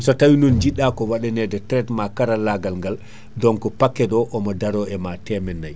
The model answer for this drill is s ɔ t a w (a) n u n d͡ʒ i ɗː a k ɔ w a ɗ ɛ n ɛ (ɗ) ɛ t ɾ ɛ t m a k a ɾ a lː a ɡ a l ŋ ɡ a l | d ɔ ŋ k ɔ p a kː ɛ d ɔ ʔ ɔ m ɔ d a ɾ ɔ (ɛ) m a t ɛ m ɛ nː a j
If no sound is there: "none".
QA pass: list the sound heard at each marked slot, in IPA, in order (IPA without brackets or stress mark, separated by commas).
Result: i, d, ɛ